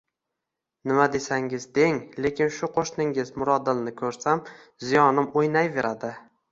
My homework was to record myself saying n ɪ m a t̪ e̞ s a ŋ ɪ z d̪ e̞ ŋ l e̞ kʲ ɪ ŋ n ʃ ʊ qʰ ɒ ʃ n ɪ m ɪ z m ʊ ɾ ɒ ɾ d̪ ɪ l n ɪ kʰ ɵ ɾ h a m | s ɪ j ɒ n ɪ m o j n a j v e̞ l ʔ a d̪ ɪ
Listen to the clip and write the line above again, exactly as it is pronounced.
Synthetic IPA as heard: n ɪ m a d̪ e̞ s a ŋ ɪ z d̪ e̞ ŋ l e̞ kʲ ɪ n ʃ ʊ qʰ o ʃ n ɪ ŋ ɪ z m ʊ ɾ ɒ d̪ ɪ l n ɪ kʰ ɵ ɾ s a m | z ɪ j ɒ n ɪ m o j n a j v e̞ ɾ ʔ a d̪ ɪ